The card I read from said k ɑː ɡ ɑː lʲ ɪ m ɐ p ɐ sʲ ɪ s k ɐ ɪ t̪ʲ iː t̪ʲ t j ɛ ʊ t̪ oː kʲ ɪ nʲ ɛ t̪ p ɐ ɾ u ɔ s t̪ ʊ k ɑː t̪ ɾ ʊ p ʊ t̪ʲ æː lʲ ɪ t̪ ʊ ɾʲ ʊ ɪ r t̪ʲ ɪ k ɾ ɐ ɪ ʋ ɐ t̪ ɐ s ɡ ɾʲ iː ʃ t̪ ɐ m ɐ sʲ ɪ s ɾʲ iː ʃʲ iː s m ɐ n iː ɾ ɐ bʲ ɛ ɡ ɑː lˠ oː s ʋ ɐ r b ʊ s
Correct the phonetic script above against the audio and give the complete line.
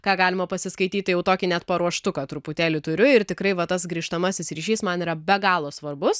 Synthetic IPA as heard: k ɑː ɡ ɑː lʲ ɪ m ɐ p ɐ sʲ ɪ s k ɐ ɪ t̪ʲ iː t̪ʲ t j ɛ ʊ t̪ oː kʲ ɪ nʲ ɛ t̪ p ɐ ɾ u ɔ ʃ t̪ ʊ k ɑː t̪ ɾ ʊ p ʊ t̪ʲ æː lʲ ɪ t̪ ʊ ɾʲ ʊ ɪ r t̪ʲ ɪ k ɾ ɐ ɪ ʋ ɐ t̪ ɐ s ɡ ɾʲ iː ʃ t̪ ɐ m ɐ sʲ ɪ s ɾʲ iː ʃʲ iː s m ɐ n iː ɾ ɐ bʲ ɛ ɡ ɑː lˠ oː s ʋ ɐ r b ʊ s

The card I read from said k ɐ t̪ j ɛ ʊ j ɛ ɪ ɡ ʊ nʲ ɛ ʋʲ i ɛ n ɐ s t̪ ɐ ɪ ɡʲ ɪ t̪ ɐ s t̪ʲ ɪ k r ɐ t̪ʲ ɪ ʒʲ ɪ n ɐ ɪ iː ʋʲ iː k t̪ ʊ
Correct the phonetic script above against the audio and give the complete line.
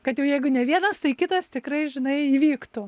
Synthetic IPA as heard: k ɐ t̪ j ɛ ʊ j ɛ ɪ ɡ ʊ nʲ ɛ ʋʲ i ɛ n ɐ s t̪ ɐ ɪ kʲ ɪ t̪ ɐ s t̪ʲ ɪ k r ɐ ɪ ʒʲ ɪ n ɐ ɪ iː ʋʲ iː k t̪ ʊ

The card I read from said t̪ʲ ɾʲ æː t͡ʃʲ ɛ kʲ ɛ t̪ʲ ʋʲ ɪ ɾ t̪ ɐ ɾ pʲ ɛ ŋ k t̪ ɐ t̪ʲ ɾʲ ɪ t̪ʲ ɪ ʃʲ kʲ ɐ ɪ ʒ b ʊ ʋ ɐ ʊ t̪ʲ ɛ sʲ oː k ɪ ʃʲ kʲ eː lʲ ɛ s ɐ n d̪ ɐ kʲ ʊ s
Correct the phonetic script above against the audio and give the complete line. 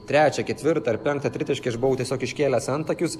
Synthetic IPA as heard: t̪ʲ ɾʲ æː t͡ʃʲ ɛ kʲ ɛ t̪ʲ ʋʲ ɪ ɾ t̪ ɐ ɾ pʲ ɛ ŋ k t̪ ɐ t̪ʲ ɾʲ ɪ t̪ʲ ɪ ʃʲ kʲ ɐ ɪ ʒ b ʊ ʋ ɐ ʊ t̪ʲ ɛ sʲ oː k ɪ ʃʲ kʲ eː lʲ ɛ s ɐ n t̪ ɐ kʲ ʊ s

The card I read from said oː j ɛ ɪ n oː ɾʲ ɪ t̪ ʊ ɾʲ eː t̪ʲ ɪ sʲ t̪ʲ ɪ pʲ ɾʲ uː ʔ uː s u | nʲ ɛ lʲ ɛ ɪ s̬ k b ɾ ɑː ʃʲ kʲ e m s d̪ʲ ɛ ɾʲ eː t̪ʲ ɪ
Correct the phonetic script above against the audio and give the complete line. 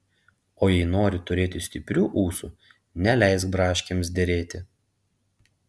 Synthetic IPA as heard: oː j ɛ ɪ n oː ɾʲ ɪ t̪ ʊ ɾʲ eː t̪ʲ ɪ sʲ t̪ʲ ɪ pʲ ɾʲ uː ʔ uː s u | nʲ ɛ lʲ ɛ ɪ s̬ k b ɾ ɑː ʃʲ kʲ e m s d̪ʲ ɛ ɾʲ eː t̪ʲ ɪ

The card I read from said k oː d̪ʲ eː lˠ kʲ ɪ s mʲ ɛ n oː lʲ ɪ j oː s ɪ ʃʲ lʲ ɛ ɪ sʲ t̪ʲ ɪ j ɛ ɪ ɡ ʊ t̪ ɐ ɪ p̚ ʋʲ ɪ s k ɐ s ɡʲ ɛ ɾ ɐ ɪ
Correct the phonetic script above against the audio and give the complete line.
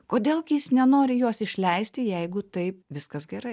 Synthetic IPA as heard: k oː d̪ʲ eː lˠ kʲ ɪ s nʲ ɛ n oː ɾʲ ɪ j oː s ɪ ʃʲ lʲ ɛ ɪ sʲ t̪ʲ ɪ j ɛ ɪ ɡ ʊ t̪ ɐ ɪ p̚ ʋʲ ɪ s k ɐ s ɡʲ ɛ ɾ ɐ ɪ

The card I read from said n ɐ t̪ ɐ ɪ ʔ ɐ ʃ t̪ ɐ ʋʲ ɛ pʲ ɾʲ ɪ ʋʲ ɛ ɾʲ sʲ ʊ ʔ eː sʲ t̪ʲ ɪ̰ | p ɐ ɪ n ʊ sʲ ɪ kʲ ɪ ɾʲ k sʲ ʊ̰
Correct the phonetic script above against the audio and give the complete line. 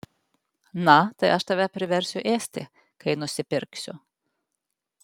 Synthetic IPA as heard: n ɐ t̪ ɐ ɪ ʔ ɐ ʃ t̪ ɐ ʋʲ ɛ pʲ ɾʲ ɪ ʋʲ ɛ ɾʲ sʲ ʊ ʔ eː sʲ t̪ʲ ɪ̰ | k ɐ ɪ n ʊ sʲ ɪ pʲ ɪ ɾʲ k sʲ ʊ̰

